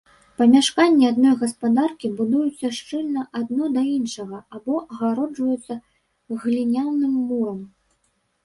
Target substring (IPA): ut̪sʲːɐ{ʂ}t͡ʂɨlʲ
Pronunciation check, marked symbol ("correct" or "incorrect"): correct